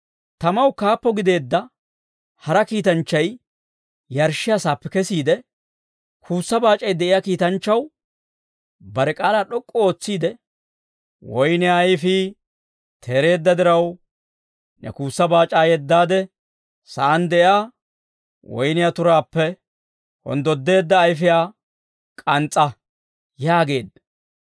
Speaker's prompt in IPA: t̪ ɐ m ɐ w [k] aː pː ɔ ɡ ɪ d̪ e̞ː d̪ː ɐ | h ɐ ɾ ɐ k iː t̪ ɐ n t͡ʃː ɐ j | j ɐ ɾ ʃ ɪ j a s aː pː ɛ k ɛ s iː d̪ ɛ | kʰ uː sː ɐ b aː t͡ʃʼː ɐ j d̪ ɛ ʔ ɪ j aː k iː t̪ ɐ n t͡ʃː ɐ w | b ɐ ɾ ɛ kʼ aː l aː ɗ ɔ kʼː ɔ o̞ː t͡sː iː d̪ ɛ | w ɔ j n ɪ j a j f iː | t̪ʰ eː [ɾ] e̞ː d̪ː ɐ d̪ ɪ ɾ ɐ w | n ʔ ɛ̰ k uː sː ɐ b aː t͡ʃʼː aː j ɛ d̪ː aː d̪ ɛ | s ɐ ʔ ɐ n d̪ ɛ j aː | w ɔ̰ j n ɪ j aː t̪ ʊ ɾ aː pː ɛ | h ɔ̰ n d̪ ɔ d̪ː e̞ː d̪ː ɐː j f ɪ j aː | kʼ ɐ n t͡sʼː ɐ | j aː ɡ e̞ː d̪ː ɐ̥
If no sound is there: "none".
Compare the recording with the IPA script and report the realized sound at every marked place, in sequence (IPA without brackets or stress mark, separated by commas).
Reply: k, ɾ